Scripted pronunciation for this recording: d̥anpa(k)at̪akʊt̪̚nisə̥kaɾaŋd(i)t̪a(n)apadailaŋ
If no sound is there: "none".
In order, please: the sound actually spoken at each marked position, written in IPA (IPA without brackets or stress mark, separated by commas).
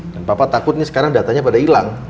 p, a, ɲ